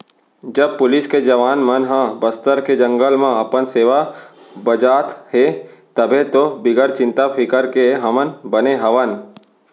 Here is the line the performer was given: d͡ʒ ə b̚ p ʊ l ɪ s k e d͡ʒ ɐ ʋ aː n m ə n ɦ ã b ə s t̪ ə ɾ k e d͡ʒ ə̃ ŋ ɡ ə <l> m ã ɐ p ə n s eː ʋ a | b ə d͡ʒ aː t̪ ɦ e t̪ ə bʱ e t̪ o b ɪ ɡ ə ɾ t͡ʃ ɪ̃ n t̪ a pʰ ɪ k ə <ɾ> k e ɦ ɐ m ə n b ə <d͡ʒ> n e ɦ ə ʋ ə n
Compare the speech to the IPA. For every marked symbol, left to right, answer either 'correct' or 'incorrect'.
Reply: correct, correct, incorrect: none

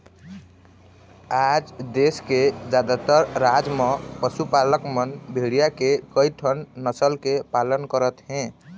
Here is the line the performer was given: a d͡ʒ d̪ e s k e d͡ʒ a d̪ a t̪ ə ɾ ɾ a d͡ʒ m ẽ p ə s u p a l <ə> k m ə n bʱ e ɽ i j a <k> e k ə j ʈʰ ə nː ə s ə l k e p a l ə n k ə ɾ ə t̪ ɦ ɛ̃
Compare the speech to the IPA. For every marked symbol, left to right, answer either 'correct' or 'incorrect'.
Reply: correct, correct

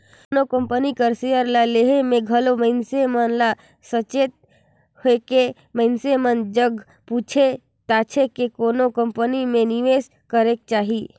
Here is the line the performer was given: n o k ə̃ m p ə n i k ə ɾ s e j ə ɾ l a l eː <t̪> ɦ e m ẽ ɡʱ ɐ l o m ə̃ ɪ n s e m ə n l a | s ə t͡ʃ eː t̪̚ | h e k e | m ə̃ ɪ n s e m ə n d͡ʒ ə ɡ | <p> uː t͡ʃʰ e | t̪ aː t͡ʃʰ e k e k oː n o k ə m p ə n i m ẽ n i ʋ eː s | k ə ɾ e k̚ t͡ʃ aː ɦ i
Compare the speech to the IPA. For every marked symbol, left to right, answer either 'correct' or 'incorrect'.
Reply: incorrect: none, correct

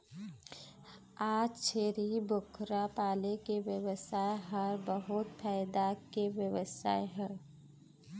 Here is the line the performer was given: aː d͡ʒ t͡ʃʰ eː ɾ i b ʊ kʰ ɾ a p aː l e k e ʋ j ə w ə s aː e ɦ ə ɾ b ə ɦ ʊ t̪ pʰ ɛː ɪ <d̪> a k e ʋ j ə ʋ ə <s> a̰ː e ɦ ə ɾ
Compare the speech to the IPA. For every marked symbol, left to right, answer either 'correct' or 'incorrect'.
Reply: correct, correct

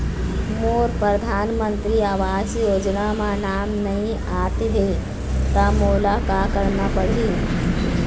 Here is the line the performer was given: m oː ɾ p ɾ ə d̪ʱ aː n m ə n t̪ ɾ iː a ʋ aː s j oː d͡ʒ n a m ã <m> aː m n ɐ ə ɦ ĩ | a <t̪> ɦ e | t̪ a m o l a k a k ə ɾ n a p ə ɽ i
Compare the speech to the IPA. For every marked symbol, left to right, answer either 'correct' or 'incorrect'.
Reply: incorrect: n, correct

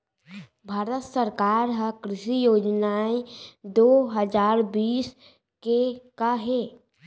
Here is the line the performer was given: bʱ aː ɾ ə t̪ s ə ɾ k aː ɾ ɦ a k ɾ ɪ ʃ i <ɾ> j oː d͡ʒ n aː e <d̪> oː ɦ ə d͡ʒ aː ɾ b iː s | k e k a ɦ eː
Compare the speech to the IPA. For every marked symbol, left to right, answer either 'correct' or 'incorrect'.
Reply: incorrect: none, correct

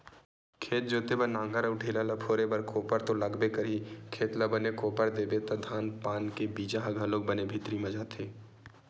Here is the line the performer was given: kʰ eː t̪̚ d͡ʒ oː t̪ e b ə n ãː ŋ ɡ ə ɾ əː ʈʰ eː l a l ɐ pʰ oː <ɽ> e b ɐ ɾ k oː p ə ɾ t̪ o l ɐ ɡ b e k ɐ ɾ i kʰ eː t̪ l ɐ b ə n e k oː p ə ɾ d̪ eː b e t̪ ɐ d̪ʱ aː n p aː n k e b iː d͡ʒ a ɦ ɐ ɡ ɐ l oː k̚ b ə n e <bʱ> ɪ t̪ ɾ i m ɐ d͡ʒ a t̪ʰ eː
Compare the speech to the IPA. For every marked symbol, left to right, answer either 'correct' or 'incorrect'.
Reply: incorrect: ɾ, correct

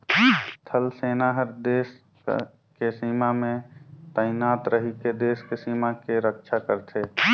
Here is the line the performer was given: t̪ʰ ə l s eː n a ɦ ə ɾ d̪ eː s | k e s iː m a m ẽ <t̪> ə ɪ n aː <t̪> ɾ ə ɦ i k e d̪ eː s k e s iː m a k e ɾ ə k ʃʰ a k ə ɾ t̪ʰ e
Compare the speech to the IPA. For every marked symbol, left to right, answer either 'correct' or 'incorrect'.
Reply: correct, correct

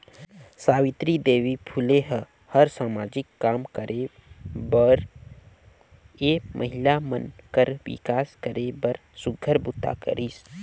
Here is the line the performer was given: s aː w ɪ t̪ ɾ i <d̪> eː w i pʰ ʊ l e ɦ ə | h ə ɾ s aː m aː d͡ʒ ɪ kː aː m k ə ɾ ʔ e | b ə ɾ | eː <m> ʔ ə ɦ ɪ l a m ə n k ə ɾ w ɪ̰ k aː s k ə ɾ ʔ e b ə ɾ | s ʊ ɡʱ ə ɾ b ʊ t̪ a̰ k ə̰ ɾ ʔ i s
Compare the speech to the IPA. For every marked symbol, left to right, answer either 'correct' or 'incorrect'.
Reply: correct, correct

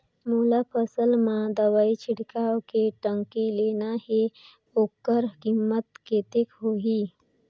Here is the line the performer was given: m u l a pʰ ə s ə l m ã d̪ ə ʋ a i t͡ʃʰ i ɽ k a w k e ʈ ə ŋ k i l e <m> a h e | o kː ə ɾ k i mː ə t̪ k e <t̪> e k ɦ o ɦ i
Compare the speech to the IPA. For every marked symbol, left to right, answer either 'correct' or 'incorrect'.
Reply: incorrect: n, correct

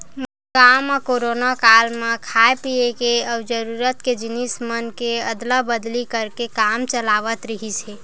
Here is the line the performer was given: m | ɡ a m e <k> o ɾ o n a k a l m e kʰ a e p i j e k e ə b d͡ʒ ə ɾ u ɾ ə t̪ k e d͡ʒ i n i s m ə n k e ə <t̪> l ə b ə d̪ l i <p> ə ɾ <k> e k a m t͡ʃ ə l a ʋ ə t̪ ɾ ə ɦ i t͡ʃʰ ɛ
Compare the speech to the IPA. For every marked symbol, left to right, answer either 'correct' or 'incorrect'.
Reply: correct, incorrect: d̪, incorrect: k, correct

